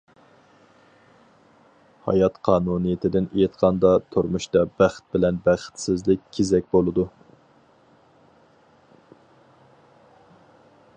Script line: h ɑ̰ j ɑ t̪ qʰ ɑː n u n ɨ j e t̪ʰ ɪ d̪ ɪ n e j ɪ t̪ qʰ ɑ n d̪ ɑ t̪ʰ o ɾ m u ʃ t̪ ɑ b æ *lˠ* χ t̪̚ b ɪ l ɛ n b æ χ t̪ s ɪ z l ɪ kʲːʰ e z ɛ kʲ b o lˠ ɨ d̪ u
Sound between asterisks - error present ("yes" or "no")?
yes